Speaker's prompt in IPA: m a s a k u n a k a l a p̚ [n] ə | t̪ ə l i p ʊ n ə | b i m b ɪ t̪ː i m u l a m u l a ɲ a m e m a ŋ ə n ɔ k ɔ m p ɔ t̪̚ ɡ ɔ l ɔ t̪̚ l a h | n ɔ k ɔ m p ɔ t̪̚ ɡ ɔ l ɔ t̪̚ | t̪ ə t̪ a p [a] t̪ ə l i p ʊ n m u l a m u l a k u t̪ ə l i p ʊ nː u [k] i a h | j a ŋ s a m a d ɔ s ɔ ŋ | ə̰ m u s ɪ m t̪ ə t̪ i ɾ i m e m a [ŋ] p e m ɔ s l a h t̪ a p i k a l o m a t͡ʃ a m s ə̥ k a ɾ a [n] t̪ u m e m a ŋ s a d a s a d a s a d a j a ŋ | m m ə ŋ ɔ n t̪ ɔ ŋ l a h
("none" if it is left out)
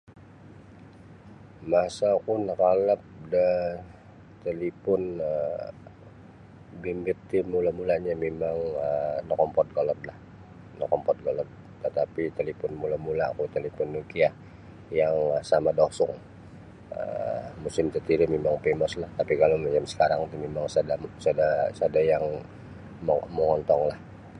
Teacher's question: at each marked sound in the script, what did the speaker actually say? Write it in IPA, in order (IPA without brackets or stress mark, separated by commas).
d, i, k, ŋ, ŋ